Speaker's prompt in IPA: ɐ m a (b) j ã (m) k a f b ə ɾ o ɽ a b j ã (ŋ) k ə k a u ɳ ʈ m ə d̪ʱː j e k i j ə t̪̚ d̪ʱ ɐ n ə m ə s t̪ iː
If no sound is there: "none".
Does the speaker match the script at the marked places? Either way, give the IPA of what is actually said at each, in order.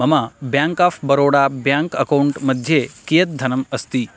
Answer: b, ŋ, ŋ

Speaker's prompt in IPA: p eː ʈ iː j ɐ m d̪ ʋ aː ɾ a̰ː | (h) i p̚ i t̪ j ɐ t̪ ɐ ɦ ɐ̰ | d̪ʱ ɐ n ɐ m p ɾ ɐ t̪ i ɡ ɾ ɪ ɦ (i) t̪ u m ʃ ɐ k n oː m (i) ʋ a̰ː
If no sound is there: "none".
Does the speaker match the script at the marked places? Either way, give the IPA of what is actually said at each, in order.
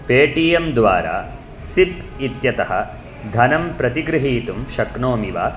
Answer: s, iː, i

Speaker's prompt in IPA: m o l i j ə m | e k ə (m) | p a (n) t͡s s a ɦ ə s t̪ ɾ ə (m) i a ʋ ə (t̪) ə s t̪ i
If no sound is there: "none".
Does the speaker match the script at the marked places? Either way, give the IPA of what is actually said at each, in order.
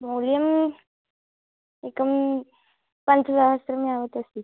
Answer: m, n, m, t̪

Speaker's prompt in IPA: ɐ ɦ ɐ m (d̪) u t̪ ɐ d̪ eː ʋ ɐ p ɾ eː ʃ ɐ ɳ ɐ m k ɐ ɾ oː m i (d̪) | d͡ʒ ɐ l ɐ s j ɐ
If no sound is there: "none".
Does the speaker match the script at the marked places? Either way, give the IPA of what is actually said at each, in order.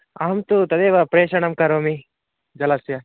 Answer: t̪, none

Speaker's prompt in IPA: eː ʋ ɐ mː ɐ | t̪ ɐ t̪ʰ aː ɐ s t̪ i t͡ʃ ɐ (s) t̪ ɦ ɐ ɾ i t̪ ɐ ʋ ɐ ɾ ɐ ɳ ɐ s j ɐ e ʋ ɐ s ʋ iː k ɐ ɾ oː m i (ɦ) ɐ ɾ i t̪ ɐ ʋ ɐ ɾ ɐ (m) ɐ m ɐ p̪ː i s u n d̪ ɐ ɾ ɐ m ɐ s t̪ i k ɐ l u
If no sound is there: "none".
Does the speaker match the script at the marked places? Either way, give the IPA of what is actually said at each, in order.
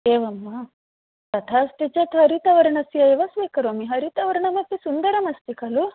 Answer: none, ɦ, ɳ

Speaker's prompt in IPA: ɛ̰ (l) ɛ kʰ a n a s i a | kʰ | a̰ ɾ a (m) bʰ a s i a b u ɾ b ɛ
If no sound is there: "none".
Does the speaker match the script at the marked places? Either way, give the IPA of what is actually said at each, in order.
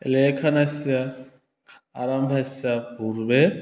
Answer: l, m

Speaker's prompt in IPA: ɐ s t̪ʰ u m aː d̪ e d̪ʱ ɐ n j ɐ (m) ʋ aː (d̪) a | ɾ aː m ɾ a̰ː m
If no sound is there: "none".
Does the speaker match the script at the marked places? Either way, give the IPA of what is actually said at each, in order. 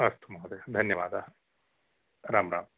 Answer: none, d̪

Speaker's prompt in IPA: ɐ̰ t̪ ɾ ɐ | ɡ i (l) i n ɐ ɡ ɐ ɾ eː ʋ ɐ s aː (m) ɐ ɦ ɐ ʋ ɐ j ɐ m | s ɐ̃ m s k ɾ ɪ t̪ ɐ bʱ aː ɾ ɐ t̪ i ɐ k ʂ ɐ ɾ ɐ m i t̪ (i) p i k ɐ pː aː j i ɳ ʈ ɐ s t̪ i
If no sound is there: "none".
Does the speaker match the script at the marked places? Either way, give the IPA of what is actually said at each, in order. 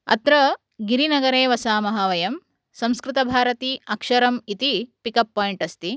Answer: ɾ, m, i

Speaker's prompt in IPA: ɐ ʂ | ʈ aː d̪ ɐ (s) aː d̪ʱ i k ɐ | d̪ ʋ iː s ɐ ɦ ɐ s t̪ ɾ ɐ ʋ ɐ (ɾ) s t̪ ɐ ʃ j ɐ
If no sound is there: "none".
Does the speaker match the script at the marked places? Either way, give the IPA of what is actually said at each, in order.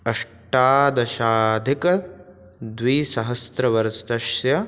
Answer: ʃ, ɾ

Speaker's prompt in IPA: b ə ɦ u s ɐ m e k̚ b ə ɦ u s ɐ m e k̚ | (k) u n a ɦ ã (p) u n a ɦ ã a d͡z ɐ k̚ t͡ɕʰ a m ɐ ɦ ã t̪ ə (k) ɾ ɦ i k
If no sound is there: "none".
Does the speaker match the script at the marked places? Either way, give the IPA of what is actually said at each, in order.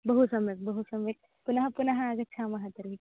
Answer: p, p, none

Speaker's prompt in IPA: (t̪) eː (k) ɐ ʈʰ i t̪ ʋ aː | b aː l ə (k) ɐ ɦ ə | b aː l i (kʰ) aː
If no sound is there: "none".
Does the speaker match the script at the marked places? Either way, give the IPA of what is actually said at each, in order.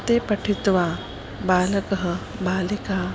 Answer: t̪, p, k, k

